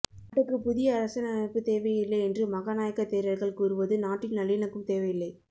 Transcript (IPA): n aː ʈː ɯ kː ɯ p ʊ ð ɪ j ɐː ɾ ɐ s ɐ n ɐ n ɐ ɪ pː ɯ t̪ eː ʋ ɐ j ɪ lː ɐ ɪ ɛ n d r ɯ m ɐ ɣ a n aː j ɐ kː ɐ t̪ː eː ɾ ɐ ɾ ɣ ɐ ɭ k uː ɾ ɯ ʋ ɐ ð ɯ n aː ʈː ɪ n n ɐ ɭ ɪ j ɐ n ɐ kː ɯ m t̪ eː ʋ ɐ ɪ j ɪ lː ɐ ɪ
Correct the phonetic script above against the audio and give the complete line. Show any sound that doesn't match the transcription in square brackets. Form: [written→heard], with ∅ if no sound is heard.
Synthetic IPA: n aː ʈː ɯ kː ɯ p ʊ ð ɪ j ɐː ɾ ɐ s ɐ n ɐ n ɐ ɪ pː ɯ t̪ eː ʋ ɐ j ɪ lː ɐ ɪ ɛ n d r ɯ m ɐ ɣ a n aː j ɐ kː ɐ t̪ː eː ɾ ɐ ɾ ɣ ɐ ɭ k uː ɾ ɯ ʋ ɐ ð ɯ n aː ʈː ɪ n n ɐ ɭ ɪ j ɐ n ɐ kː ɯ m t̪ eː ʋ ɐ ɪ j ɪ lː ɐ ɪ